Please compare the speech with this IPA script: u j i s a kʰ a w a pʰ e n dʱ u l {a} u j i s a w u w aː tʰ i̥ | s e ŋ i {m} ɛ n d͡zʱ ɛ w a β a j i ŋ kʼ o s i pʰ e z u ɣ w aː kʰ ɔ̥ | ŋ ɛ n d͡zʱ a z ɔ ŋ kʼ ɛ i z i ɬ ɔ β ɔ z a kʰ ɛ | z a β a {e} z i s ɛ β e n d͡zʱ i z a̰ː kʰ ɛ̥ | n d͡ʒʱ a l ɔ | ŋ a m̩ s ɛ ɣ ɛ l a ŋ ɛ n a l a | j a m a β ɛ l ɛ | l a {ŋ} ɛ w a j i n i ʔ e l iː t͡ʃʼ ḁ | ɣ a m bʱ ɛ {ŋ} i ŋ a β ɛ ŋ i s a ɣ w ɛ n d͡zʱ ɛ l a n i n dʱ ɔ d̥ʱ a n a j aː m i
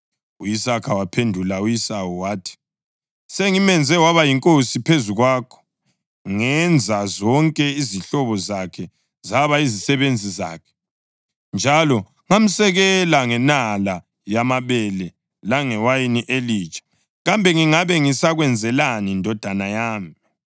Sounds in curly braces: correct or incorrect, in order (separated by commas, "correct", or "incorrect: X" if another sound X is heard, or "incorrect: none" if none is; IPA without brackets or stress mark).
correct, correct, incorrect: i, correct, correct